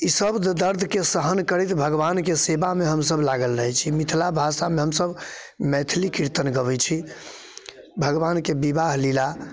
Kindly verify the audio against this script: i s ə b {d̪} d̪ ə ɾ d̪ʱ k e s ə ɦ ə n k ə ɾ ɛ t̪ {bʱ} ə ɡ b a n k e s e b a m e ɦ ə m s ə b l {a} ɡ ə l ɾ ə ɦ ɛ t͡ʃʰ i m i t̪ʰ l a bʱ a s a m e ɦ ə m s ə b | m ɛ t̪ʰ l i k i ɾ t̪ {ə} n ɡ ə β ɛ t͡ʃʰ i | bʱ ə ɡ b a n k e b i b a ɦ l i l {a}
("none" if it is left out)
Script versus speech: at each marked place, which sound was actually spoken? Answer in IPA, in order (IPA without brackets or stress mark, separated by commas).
d̪, bʱ, a, ə, a